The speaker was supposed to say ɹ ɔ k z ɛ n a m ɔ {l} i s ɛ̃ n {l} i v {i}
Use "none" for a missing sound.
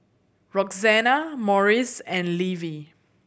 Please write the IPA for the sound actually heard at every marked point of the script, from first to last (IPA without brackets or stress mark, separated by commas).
ɹ, l, i